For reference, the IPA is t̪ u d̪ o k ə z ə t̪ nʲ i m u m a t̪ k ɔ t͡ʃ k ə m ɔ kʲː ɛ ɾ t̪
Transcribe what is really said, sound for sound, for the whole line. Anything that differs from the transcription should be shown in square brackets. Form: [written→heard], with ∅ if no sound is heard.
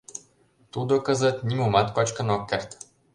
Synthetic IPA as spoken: t̪ u d̪ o k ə z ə t̪ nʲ i m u m a t̪ k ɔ t͡ʃ k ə [m→n] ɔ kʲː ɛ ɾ t̪